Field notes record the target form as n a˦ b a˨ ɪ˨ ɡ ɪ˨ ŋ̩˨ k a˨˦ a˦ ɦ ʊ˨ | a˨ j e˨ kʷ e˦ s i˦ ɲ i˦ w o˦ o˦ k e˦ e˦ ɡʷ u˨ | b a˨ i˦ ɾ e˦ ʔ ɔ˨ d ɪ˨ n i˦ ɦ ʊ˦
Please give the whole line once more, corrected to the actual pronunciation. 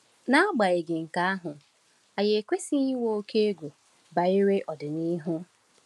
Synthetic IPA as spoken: n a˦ ɡ͡b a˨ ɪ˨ ɡ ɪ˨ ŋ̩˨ k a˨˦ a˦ ɦ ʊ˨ | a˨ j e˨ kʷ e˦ s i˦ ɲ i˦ w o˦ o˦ k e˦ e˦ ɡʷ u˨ | b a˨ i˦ ɾ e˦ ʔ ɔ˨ d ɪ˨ n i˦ ɦ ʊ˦